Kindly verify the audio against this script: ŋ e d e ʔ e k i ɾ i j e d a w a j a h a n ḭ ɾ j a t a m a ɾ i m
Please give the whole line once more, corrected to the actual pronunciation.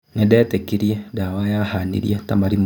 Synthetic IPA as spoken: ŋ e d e t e k i ɾ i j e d a w a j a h a n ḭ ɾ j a t a m a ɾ i m